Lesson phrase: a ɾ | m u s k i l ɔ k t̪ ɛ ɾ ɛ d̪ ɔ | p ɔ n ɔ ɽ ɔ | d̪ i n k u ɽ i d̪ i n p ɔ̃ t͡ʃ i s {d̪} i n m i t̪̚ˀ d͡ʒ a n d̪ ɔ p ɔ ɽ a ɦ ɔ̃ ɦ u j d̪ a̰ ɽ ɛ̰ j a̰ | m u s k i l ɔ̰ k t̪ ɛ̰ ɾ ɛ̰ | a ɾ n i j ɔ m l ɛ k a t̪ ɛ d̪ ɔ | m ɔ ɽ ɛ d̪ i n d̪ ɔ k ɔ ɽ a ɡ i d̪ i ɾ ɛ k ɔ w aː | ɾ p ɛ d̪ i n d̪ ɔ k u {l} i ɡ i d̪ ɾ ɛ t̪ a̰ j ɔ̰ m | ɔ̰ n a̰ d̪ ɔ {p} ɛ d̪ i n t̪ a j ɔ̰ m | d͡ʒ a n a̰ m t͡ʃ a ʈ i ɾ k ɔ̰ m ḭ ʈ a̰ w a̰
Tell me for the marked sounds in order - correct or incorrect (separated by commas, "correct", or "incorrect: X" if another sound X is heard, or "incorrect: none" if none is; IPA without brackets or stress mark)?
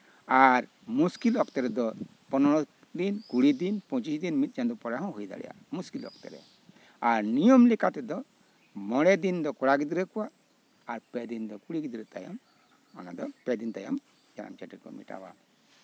correct, incorrect: ɽ, correct